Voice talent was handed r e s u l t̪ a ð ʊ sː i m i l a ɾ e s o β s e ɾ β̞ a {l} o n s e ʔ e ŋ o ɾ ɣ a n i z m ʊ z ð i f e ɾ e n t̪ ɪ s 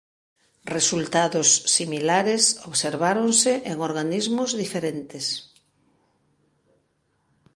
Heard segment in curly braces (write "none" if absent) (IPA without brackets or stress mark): ɾ